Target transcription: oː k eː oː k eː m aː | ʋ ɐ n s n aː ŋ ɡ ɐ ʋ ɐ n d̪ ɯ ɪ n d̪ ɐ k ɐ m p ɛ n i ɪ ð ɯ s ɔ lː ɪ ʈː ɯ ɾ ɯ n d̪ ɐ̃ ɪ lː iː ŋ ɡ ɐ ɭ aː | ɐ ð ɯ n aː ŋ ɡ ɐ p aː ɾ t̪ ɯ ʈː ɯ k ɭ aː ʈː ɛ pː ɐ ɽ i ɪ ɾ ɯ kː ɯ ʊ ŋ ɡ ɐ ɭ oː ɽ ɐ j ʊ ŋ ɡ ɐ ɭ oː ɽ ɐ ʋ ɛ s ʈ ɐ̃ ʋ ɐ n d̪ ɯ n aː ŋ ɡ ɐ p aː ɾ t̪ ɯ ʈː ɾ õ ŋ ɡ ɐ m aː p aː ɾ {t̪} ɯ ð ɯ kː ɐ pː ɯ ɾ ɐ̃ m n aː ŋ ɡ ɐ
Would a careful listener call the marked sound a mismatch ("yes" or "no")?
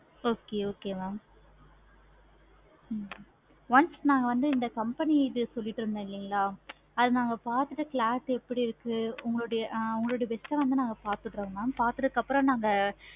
no